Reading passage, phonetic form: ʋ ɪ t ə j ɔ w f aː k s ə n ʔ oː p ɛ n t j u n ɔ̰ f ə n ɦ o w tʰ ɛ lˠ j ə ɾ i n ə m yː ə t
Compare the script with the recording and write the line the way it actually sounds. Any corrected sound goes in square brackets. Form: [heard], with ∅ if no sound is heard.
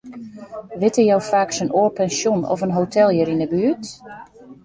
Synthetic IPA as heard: ʋ ɪ t ə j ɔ w f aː k s ə n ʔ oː p ɛ n [s] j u n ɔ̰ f ə n ɦ o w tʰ ɛ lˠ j ə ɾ i n ə [b] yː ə t